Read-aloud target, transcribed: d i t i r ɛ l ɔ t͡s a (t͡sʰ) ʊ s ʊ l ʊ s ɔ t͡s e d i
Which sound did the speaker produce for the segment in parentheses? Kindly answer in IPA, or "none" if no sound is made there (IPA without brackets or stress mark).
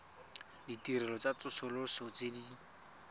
t͡s